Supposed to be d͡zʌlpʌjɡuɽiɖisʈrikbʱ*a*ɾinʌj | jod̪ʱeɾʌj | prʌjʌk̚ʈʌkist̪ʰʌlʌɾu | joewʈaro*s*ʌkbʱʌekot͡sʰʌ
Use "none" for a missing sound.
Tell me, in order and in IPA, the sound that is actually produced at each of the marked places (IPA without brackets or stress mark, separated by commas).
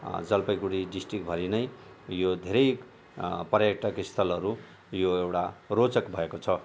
ʌ, t͡s